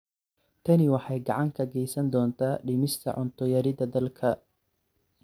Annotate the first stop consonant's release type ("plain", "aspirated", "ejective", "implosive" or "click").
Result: aspirated